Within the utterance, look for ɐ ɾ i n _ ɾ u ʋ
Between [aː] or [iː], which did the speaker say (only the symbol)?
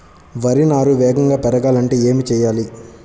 aː